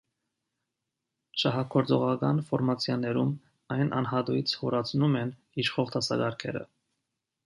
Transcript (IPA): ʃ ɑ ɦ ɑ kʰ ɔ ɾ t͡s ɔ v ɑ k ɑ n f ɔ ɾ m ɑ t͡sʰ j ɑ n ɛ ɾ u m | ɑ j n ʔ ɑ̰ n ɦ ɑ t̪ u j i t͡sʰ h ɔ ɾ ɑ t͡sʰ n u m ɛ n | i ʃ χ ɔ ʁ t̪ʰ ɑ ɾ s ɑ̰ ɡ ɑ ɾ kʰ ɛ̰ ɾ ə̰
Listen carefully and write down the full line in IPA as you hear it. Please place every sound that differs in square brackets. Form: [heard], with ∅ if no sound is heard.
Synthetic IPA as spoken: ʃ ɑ ɦ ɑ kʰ ɔ ɾ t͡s ɔ [ʁ] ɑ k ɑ n f ɔ ɾ m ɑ t͡sʰ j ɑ n ɛ ɾ u m | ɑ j n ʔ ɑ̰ n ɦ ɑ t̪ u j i t͡sʰ h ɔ ɾ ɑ t͡sʰ n u m ɛ n | i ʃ χ ɔ ʁ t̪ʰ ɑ [∅] s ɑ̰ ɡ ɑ ɾ kʰ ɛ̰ ɾ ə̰